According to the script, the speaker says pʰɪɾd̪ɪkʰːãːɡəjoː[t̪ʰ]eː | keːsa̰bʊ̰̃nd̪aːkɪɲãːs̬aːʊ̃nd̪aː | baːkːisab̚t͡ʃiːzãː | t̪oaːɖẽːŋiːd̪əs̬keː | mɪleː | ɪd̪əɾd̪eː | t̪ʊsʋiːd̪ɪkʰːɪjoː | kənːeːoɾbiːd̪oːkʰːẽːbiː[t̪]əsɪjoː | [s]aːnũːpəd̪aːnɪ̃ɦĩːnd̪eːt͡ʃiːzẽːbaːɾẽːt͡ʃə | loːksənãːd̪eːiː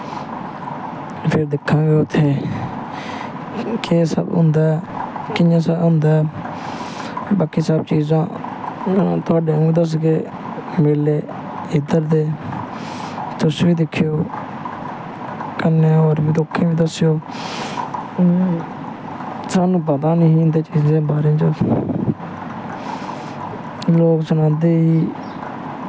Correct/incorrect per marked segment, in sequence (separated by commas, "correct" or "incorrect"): correct, incorrect, correct